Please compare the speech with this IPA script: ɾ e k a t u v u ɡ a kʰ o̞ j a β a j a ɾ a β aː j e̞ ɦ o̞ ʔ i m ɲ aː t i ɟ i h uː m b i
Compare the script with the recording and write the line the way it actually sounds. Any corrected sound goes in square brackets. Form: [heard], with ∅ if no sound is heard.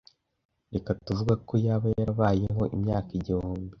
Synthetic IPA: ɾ e k a t u v u ɡ a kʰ o̞ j a β a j a ɾ a β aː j e̞ ɦ o̞ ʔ i m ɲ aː [k] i ɟ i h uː m b i